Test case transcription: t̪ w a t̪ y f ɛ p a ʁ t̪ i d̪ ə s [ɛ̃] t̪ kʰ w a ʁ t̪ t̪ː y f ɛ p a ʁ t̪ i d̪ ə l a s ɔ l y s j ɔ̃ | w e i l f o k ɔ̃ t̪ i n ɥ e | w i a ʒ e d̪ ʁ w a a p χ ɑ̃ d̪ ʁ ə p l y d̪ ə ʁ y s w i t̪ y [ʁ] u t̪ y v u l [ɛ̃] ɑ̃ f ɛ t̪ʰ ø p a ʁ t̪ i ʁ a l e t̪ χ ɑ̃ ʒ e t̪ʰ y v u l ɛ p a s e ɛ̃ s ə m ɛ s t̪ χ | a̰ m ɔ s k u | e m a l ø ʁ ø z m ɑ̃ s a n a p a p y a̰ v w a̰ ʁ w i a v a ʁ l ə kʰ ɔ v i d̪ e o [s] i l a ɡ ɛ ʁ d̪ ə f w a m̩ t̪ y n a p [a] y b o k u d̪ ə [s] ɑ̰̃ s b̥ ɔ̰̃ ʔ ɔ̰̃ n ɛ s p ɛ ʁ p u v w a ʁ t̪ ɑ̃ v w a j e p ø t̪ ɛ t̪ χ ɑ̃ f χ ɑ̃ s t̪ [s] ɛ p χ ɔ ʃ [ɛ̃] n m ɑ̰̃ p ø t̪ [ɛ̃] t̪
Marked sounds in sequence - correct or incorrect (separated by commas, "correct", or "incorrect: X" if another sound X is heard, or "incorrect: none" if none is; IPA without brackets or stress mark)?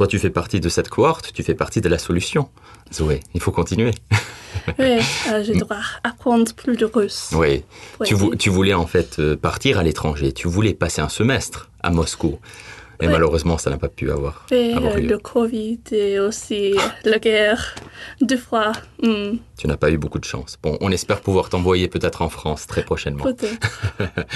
incorrect: ɛ, incorrect: v, incorrect: ɛ, correct, correct, incorrect: ʃ, incorrect: χ, incorrect: ɛ, incorrect: ɛ